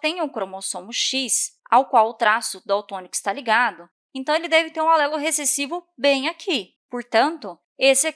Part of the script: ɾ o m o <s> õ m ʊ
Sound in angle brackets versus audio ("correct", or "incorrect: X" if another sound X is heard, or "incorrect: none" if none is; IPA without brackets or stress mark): correct